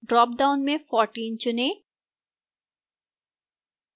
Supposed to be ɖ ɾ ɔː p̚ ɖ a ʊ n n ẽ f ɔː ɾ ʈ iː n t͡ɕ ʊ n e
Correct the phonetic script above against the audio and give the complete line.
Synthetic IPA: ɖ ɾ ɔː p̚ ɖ a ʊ n m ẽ f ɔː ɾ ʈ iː n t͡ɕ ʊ n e